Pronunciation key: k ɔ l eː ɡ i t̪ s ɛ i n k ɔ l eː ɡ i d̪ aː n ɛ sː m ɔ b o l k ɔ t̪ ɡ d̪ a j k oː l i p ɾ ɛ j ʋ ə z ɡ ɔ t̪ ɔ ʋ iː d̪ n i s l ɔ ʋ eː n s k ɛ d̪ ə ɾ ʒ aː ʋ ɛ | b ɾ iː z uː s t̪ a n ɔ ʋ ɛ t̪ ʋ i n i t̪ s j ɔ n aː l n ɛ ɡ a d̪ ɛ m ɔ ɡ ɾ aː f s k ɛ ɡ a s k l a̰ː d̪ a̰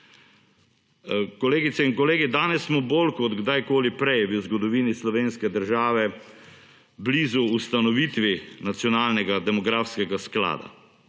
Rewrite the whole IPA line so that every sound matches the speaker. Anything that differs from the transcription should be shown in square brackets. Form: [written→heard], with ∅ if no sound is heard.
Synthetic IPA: k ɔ l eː ɡ i t̪ s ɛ i n k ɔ l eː ɡ i d̪ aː n ɛ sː m ɔ b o l k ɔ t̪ ɡ d̪ a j k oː l i p ɾ ɛ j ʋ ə z ɡ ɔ [t̪→d̪] ɔ ʋ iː [d̪→∅] n i s l ɔ ʋ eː n s k ɛ d̪ ə ɾ ʒ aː ʋ ɛ | b [ɾ→l] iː z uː s t̪ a n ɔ ʋ [ɛ→i] t̪ ʋ i n [i→a] t̪ s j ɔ n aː l n ɛ ɡ a d̪ ɛ m ɔ ɡ ɾ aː f s k ɛ ɡ a s k l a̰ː d̪ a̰